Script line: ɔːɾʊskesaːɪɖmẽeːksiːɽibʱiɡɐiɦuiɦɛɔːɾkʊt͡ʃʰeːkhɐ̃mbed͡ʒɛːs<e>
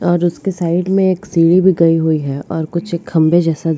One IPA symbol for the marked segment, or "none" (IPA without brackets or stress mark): a